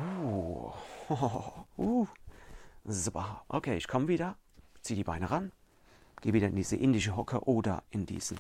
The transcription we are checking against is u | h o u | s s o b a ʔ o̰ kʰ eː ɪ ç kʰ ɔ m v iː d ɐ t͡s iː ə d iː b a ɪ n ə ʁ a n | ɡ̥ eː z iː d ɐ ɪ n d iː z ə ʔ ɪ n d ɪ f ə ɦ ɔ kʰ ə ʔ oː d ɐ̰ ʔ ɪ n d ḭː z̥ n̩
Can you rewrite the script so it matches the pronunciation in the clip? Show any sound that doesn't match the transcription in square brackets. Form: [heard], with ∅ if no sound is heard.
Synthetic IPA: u | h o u | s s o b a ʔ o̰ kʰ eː ɪ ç kʰ ɔ m v iː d ɐ t͡s iː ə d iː b a ɪ n ə ʁ a n | ɡ̥ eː [v] iː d ɐ ɪ n d iː z ə ʔ ɪ n d ɪ [ʃ] ə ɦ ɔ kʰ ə ʔ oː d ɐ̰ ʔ ɪ n d ḭː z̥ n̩